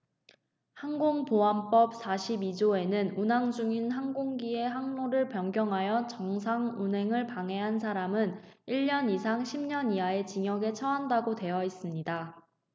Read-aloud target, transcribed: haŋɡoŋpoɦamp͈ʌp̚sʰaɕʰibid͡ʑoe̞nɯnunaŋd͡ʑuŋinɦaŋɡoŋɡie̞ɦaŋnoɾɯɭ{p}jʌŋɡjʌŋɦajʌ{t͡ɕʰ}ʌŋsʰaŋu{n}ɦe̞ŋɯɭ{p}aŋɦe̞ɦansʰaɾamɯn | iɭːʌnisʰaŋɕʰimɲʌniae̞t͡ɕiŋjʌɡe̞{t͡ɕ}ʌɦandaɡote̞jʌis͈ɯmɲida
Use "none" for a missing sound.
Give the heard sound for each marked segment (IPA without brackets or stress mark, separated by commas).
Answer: p, t͡ɕ, n, p, t͡ɕʰ